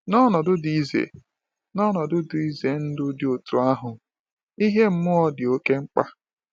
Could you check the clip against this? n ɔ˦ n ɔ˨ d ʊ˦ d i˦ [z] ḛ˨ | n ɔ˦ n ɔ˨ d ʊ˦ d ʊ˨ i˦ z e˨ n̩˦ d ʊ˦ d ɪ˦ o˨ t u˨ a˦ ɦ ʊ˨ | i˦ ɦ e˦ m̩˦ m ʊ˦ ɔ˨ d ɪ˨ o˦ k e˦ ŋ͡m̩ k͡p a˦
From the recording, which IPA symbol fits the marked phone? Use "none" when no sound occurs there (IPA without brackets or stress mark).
z